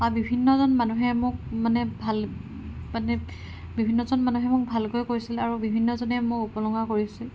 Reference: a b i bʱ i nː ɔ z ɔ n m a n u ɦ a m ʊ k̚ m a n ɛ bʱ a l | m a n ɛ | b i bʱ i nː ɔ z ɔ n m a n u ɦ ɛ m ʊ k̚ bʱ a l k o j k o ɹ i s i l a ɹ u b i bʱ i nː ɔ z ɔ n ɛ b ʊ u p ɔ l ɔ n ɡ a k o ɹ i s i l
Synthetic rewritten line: a b i bʱ i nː ɔ z ɔ n m a n u ɦ ɛ m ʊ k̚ m a n ɛ bʱ a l | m a n ɛ | b i bʱ i nː ɔ z ɔ n m a n u ɦ ɛ m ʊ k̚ bʱ a l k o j k o ɹ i s i l a ɹ u b i bʱ i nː ɔ z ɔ n ɛ m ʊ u p ɔ l ɔ ŋ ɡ a k o ɹ i s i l